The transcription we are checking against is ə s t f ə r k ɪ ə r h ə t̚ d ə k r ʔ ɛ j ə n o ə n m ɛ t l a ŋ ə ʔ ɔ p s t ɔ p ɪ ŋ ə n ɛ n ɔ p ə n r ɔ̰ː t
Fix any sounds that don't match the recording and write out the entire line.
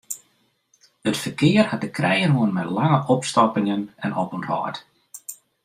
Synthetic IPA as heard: ə t f ə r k ɪ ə r h a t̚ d ə k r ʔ ɛ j ə n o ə n m ɛ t l a ŋ ə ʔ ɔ p s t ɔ p ɪ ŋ ə n ɛ n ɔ p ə n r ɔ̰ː t